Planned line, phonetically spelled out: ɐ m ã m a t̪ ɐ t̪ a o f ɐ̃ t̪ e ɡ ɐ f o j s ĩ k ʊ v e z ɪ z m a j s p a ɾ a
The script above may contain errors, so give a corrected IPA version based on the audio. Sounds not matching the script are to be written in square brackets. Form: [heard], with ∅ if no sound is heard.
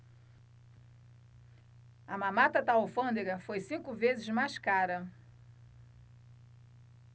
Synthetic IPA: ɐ m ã m a t̪ ɐ t̪ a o f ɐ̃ [d̪] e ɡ ɐ f o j s ĩ k ʊ v e z ɪ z m a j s [k] a ɾ [ɐ]